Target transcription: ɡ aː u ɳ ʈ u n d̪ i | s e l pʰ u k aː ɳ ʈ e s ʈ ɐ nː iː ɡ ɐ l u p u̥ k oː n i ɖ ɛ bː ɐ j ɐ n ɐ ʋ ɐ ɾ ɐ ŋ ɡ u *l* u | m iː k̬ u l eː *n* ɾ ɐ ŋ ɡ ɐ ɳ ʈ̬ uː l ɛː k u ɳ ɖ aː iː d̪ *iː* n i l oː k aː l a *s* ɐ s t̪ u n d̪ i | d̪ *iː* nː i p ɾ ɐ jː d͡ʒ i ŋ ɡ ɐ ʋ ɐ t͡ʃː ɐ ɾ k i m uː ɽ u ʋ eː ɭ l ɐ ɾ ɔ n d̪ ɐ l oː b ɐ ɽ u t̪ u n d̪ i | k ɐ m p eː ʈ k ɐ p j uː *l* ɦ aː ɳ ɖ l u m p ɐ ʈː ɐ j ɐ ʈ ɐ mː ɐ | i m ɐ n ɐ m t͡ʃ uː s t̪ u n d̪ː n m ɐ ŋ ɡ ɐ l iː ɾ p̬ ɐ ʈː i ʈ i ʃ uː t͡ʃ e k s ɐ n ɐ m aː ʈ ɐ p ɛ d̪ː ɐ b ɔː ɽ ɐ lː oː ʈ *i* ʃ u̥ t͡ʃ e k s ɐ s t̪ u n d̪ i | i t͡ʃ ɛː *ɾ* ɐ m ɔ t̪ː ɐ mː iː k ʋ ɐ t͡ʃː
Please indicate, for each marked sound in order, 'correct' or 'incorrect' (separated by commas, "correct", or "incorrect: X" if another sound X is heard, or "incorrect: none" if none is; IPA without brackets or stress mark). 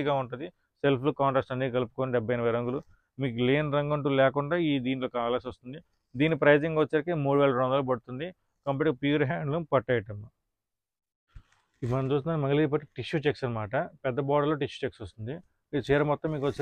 correct, correct, correct, correct, correct, incorrect: ɾ, correct, correct